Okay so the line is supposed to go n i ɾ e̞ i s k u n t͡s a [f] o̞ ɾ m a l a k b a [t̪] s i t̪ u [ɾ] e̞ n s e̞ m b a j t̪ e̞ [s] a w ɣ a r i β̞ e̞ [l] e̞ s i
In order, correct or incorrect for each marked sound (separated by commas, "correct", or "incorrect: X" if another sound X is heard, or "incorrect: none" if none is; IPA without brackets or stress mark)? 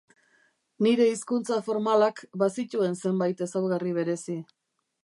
correct, incorrect: none, incorrect: none, correct, incorrect: ɾ